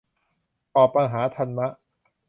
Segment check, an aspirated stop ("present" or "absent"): present